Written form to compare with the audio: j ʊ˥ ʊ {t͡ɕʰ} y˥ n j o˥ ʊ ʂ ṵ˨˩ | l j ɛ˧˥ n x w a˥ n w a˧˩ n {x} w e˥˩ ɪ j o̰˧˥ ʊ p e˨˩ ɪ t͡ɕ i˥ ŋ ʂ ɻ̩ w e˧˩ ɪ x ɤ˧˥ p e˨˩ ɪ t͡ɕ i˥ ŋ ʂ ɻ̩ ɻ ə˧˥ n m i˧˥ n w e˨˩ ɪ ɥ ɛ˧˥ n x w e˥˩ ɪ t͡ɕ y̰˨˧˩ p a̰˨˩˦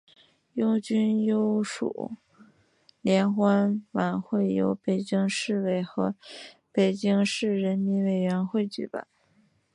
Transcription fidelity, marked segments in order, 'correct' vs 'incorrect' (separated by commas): incorrect, correct